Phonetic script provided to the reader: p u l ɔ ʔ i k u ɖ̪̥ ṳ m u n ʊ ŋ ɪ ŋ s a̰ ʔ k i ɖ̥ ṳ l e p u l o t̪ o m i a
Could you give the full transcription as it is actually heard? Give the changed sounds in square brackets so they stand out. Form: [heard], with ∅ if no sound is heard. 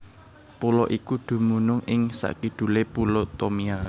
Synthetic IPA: p u l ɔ ʔ i k u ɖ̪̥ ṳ m u n ʊ ŋ ɪ ŋ s a̰ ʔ k i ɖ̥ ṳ l e p u l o t̪ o m i a

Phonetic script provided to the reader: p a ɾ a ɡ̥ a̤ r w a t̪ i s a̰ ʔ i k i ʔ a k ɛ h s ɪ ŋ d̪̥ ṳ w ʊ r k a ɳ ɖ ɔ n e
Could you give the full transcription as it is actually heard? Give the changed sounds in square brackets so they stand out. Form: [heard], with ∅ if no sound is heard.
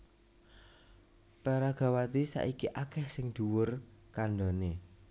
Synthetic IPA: p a ɾ a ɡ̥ a̤ [∅] w a t̪ i s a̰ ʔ i k i ʔ a k ɛ h s ɪ ŋ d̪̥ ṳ w ʊ r k a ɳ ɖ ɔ n e

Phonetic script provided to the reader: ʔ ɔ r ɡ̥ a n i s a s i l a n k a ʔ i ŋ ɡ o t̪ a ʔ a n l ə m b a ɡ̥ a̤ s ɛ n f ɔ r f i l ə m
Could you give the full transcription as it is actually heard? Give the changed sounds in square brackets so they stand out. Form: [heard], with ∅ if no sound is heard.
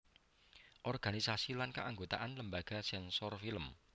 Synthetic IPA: ʔ ɔ r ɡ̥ a n i s a s i l a n k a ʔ [a] ŋ ɡ o t̪ a ʔ a n l ə m b a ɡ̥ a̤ s ɛ n [s] ɔ r f i l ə m

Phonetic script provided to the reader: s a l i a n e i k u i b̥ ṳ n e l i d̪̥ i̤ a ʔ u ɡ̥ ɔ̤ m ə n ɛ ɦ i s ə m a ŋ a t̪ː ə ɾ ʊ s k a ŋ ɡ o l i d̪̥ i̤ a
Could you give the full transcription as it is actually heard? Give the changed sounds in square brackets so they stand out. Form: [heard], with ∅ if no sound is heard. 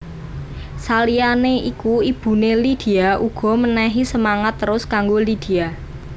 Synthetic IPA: s a l i a n e i k u i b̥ ṳ n e l i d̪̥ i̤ a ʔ u ɡ̥ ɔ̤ m ə n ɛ ɦ i s ə m a ŋ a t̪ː ə ɾ ʊ s k a ŋ ɡ o l i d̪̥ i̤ a

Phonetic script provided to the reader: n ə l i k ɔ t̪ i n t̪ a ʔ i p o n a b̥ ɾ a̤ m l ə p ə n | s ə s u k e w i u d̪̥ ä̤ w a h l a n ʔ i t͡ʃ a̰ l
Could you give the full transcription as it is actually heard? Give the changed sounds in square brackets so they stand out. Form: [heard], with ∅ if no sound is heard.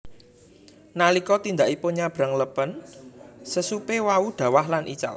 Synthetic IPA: n [a] l i k ɔ t̪ i n [d̪] a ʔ i p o [ɲ] a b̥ ɾ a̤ [ŋ] l ə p ə n | s ə s u [p] e w [a] u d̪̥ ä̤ w a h l a n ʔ i t͡ʃ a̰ l

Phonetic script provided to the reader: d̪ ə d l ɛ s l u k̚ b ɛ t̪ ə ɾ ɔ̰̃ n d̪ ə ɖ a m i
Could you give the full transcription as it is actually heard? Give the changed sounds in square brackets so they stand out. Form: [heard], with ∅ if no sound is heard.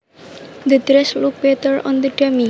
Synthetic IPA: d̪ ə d [ɾ] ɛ s l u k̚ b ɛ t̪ ə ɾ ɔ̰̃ n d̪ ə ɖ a m i

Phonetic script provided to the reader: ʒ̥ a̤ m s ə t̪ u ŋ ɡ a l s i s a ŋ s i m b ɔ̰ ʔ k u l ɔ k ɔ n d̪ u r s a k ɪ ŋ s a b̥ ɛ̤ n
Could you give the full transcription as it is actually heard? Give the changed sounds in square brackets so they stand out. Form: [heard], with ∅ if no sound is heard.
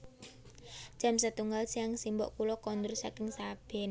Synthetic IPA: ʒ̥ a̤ m s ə t̪ u ŋ ɡ a l s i [∅] a ŋ s i m b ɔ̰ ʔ k u l ɔ k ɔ n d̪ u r s a k ɪ ŋ s a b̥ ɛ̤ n

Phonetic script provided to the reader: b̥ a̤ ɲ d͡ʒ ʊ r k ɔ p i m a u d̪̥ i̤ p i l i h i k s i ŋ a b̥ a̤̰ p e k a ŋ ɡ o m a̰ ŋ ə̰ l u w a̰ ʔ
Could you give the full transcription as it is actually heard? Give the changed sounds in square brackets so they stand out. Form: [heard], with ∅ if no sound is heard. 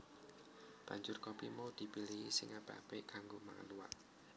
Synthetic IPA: b̥ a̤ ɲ d͡ʒ ʊ r k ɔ p i m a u d̪̥ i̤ p i l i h i [∅] s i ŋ a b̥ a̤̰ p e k a ŋ ɡ o m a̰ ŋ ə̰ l u w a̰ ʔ

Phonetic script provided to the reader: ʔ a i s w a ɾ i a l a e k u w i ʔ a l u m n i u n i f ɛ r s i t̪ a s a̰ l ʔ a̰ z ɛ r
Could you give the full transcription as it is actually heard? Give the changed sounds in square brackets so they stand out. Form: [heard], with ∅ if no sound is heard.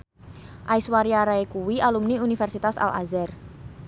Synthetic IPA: ʔ a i s w a ɾ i a [ɾ] a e k u w i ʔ a l u m n i u n i f ɛ r s i t̪ a s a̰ l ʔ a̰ z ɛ r

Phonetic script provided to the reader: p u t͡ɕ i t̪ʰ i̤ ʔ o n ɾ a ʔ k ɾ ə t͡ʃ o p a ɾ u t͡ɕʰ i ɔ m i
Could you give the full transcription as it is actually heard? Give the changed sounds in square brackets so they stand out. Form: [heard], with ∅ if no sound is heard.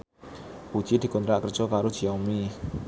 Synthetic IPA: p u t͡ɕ i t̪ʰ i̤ [k] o n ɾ a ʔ k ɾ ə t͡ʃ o [k] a ɾ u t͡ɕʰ i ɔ m i

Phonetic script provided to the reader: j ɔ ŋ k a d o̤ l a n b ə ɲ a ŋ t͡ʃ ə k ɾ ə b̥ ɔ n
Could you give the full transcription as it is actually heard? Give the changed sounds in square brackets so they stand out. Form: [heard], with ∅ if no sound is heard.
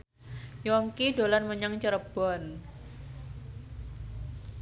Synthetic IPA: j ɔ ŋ k [i] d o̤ l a n [m] ə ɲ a ŋ t͡ʃ ə [∅] ɾ ə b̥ ɔ n

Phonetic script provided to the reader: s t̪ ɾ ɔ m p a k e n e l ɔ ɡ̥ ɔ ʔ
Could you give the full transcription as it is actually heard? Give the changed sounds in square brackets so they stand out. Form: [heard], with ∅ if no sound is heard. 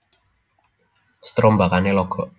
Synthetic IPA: s t̪ ɾ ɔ m [b] a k [a] n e l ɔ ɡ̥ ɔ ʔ

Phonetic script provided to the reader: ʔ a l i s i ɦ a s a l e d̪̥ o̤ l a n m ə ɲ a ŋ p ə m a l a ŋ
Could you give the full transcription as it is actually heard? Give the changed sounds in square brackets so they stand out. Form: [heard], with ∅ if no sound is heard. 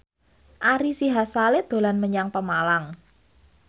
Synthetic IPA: ʔ a [ɾ] i s i ɦ a s a l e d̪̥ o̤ l a n m ə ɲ a ŋ p ə m a l a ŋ

